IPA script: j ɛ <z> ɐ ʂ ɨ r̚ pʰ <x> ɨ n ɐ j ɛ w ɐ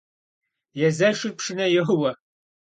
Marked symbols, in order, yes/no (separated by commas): yes, no